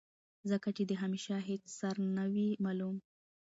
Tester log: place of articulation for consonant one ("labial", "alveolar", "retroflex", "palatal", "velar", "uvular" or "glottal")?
alveolar